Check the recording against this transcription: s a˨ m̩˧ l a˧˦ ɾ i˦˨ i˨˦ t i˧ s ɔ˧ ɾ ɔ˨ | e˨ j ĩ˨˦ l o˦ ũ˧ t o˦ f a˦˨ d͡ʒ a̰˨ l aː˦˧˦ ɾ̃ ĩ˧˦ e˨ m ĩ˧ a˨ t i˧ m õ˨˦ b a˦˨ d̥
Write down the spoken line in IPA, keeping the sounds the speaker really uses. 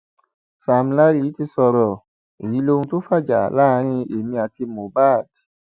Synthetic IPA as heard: s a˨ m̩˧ l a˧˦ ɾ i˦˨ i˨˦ t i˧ s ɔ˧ ɾ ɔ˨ | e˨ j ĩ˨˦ l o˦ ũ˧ t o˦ f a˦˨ d͡ʒ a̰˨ l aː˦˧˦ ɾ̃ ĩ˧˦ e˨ m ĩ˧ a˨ t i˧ m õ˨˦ b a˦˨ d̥